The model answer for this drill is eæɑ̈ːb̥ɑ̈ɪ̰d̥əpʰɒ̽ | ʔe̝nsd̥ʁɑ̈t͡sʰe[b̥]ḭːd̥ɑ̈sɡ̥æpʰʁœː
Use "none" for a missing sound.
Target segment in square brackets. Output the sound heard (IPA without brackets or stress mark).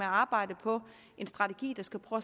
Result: ɡ̥